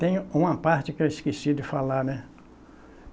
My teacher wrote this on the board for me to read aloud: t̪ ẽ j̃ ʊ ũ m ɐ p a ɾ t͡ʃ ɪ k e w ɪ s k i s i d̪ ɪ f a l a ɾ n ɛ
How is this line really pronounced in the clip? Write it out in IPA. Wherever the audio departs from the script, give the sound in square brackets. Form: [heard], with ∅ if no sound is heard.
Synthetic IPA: t̪ ẽ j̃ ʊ ũ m ɐ p a ɾ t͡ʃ ɪ k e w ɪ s k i s i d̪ ɪ f a l a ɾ n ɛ